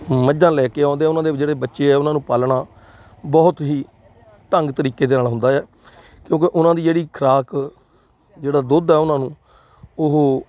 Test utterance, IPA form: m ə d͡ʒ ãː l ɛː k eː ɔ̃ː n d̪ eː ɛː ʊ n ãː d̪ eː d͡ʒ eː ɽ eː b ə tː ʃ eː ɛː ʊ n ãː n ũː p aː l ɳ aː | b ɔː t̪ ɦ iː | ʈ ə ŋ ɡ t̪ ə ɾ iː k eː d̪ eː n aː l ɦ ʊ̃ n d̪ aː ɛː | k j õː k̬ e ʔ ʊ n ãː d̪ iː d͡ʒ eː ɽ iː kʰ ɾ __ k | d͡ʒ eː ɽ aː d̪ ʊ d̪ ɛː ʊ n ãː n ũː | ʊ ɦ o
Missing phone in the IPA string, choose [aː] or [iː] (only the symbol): aː